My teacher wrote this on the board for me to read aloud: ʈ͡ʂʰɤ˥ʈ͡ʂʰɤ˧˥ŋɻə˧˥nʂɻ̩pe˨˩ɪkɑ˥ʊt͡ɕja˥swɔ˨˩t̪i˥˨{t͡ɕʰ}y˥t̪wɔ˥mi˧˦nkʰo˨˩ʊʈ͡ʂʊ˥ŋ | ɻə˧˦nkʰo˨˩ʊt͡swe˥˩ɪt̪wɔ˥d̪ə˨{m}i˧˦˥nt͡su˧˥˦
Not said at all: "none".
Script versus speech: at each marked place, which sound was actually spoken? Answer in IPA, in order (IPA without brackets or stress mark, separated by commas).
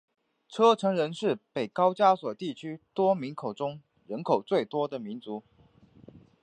t͡ɕʰ, m